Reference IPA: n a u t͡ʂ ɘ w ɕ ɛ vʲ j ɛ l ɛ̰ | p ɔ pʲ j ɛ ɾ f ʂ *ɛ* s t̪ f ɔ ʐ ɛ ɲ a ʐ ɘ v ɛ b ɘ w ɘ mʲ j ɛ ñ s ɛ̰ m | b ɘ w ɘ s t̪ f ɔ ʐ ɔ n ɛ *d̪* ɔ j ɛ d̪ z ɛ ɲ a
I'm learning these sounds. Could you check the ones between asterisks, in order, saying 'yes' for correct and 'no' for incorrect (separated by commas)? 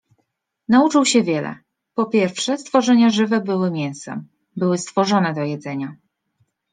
yes, yes